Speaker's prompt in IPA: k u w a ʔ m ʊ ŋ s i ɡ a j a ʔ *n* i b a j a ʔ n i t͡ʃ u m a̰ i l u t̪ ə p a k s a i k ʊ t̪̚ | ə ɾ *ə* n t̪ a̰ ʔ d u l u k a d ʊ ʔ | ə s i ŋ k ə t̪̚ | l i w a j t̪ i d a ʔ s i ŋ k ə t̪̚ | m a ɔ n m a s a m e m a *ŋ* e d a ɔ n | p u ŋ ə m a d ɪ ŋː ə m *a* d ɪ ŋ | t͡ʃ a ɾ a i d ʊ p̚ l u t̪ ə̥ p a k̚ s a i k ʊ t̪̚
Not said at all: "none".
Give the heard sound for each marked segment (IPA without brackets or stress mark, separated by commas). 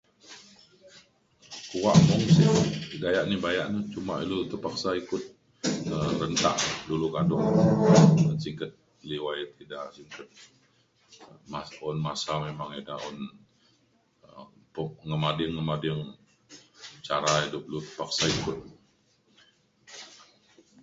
n, ə, ŋ, a